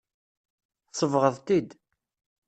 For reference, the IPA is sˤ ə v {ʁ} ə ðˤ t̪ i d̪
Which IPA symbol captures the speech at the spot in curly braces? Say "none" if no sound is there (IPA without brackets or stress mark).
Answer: ʁ